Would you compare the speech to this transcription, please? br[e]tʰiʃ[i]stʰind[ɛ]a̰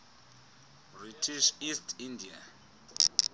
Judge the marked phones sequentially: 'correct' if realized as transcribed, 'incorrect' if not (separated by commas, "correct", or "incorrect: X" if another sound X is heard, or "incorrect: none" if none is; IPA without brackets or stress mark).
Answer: incorrect: i, correct, incorrect: i